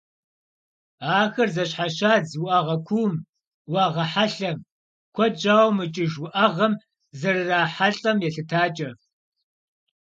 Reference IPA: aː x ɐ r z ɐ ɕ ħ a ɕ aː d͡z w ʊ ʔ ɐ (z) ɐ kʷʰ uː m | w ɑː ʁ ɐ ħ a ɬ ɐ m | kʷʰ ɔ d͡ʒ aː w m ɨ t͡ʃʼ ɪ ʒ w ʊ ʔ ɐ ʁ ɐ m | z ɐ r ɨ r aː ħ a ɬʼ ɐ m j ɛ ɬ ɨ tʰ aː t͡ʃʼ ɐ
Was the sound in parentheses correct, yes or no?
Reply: no